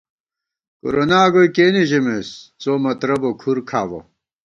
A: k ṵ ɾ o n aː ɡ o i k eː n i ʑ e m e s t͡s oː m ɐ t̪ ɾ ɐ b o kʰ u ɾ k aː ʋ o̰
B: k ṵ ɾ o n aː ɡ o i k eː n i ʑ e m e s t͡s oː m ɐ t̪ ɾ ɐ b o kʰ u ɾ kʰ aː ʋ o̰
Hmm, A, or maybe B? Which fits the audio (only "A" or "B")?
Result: B